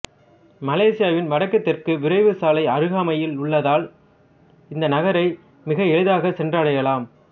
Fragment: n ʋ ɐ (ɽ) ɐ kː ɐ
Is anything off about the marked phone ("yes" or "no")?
no